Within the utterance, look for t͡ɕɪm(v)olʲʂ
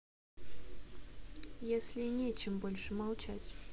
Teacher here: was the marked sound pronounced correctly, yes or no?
no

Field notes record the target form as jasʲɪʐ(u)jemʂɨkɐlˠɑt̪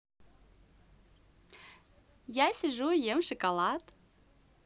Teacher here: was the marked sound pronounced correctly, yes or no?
yes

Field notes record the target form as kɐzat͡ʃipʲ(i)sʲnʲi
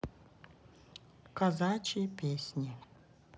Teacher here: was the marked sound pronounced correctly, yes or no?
no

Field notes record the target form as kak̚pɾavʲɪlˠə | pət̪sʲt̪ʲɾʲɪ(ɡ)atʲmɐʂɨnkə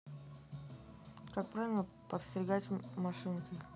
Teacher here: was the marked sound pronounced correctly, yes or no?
yes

